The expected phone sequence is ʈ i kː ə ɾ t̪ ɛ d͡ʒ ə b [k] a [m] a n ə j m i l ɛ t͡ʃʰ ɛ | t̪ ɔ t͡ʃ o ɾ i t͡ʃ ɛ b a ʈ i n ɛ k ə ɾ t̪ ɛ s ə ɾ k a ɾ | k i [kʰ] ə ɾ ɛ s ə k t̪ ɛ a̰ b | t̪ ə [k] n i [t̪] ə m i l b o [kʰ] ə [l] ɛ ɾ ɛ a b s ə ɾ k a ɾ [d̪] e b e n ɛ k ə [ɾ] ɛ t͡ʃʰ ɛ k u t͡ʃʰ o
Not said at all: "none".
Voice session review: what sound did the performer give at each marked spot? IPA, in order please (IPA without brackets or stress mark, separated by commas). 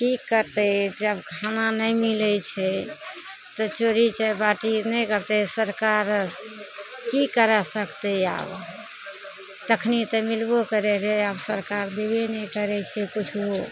kʰ, n, k, kʰ, t̪, k, ɾ, d̪, ɾ